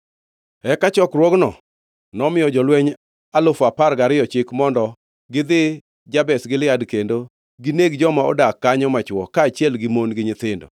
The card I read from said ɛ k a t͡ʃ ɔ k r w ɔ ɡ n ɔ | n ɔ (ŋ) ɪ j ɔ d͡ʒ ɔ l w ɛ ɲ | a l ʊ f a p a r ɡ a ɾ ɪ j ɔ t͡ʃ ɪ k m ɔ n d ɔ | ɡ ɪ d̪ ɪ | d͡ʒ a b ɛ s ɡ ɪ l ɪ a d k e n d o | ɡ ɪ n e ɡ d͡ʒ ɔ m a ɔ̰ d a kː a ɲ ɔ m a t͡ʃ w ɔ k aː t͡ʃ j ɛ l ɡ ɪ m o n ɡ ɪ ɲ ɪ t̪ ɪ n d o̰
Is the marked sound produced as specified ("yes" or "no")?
no